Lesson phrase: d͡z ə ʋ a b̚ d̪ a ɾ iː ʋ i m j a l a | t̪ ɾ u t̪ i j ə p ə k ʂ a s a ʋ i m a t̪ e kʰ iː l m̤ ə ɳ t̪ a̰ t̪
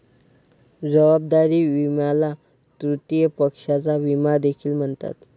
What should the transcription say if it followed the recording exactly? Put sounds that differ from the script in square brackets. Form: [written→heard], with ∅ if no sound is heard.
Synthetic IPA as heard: d͡z ə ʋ a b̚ d̪ a ɾ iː ʋ i m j a l a | t̪ ɾ u t̪ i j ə p ə k ʂ a [s→t͡s] a ʋ i m a [t̪→d̪] e kʰ iː l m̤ ə ɳ t̪ a̰ t̪